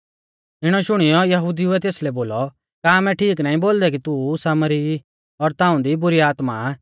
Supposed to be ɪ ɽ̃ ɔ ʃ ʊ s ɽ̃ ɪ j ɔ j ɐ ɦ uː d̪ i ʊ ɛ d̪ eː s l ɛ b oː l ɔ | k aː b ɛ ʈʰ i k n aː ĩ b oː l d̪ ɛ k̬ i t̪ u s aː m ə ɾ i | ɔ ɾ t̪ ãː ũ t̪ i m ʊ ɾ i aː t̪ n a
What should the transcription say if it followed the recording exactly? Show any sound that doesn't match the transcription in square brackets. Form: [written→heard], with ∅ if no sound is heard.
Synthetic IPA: ɪ ɽ̃ ɔ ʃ ʊ [s→∅] ɽ̃ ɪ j ɔ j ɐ ɦ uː d̪ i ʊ ɛ [d̪→t̪] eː s l ɛ b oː l ɔ | k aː [b→m] ɛ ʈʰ [i→iː] k n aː ĩ b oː l d̪ ɛ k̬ i t̪ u s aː m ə ɾ i | ɔ ɾ t̪ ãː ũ [t̪→d̪] i [m→b] ʊ ɾ i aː t̪ [n→m] a